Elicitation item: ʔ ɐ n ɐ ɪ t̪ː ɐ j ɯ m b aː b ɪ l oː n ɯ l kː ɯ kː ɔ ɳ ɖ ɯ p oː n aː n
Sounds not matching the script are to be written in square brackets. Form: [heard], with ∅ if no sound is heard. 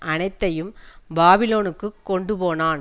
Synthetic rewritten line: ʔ ɐ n ɐ ɪ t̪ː ɐ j ɯ m b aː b ɪ l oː n ɯ [∅] kː ɯ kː ɔ ɳ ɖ ɯ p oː n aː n